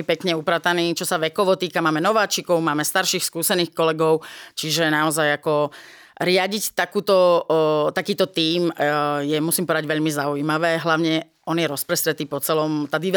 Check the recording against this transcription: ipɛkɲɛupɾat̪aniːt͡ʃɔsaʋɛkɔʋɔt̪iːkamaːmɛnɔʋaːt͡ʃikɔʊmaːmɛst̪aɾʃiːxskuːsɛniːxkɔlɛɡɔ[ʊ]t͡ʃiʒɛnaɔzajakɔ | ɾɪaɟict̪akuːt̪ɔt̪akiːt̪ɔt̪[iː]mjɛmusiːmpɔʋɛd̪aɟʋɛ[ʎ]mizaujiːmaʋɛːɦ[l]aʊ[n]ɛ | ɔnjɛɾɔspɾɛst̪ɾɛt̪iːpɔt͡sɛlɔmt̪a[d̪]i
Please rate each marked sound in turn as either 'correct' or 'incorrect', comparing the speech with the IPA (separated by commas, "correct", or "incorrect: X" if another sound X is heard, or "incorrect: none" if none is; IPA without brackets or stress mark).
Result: correct, correct, correct, correct, incorrect: ɲ, correct